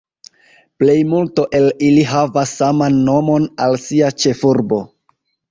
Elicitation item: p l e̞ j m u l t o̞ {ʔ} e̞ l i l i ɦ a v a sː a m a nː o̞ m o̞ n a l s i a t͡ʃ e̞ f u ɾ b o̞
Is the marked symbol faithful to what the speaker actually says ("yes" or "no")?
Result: yes